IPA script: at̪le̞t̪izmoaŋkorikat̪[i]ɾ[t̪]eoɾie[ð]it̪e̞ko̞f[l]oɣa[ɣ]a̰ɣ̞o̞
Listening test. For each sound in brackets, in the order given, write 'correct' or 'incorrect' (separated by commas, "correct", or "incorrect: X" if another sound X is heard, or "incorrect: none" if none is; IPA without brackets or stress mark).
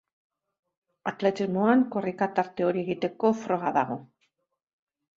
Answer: incorrect: a, correct, incorrect: ɣ, incorrect: ɾ, incorrect: ð